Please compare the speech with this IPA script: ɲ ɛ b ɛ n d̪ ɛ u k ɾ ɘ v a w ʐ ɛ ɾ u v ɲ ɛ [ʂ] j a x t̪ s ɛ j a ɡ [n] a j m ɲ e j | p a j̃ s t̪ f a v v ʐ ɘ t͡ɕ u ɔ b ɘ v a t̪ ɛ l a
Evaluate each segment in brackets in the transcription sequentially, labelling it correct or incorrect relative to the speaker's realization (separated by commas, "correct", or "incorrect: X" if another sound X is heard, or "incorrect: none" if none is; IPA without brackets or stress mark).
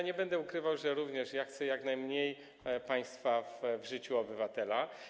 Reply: correct, correct